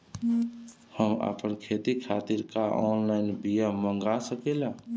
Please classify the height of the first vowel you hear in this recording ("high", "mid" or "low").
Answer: mid